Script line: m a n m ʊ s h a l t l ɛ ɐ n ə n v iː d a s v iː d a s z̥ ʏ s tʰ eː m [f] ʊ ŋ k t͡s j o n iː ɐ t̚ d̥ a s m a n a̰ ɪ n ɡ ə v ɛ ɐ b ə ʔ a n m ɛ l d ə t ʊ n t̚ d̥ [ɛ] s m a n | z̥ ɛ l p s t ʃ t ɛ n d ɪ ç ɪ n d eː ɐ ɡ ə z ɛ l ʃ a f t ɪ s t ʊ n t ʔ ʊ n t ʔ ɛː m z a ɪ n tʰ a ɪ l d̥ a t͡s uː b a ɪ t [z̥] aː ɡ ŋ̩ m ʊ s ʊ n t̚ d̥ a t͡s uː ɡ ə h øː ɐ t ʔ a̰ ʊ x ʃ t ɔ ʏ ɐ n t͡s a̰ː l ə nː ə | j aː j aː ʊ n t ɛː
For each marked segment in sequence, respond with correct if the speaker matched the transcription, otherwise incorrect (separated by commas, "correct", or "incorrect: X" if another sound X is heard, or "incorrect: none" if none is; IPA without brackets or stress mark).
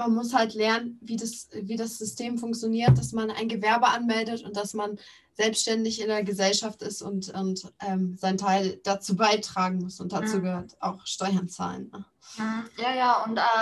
correct, incorrect: a, incorrect: ʁ̥